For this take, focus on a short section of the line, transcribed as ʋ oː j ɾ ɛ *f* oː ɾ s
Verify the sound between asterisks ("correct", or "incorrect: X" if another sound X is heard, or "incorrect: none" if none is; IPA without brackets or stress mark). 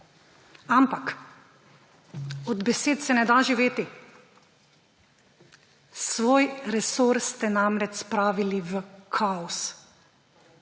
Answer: incorrect: s